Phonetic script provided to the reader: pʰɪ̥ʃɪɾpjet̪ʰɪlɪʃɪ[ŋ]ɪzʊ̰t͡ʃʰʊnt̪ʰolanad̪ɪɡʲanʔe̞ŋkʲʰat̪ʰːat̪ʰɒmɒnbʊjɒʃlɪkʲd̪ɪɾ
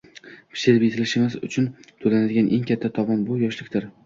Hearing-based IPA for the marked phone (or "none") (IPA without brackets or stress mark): m